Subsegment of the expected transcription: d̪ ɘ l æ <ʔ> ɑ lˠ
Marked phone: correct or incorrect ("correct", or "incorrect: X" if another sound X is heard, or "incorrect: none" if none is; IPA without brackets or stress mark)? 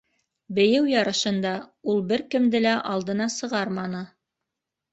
correct